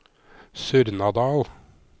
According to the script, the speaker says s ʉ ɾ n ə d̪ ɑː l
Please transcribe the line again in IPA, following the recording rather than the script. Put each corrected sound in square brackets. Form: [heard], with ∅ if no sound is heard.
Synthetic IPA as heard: s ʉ ɾ n [ɑ] d̪ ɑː l